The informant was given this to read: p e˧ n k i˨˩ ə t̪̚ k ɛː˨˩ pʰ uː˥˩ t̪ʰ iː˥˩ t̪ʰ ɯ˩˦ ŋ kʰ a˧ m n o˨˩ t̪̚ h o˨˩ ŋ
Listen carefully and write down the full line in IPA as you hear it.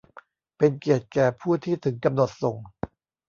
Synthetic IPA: p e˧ n k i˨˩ ə t̪̚ k ɛː˨˩ pʰ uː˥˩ t̪ʰ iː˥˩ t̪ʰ ɯ˩˦ ŋ k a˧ m n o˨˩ t̪̚ s o˨˩ ŋ